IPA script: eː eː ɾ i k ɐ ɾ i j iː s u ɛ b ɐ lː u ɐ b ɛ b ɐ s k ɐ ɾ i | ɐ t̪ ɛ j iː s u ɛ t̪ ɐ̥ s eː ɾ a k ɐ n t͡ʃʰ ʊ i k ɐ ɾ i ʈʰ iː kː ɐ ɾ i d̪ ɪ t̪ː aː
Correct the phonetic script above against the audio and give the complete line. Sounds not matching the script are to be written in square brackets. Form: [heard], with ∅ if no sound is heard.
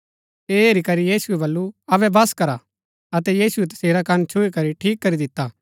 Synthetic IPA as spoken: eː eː ɾ i k ɐ ɾ i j iː s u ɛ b ɐ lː u ɐ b ɛ b ɐ s k ɐ ɾ [a] | ɐ t̪ ɛ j iː s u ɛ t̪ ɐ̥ s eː ɾ a k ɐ n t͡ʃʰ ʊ i k ɐ ɾ i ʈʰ iː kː ɐ ɾ i d̪ ɪ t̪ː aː